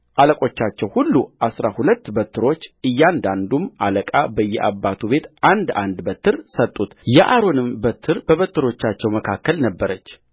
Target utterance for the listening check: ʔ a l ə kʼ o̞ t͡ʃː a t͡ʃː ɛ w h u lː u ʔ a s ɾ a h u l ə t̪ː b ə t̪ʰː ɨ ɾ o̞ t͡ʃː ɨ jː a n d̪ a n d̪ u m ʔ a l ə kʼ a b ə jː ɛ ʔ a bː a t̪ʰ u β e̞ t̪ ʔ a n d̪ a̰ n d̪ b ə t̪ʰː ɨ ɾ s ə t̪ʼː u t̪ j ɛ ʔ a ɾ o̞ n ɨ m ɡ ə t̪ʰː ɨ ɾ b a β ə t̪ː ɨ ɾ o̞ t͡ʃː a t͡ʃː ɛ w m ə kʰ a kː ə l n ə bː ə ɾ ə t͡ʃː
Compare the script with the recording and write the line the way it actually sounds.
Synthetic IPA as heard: ʔ a l ə kʼ o̞ t͡ʃː a t͡ʃː ɛ w h u lː u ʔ a s ɾ a h u l ə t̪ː b ə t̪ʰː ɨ ɾ o̞ t͡ʃː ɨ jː a n d̪ a n d̪ u m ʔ a l ə kʼ a b ə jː ɛ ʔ a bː a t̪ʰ u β e̞ t̪ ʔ a n d̪ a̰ n d̪ b ə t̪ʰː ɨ ɾ s ə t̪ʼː u t̪ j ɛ ʔ a ɾ o̞ n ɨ m b ə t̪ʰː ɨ ɾ b ə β ə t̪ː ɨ ɾ o̞ t͡ʃː a t͡ʃː ɛ w m ə kʰ a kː ə l n ə bː ə ɾ ə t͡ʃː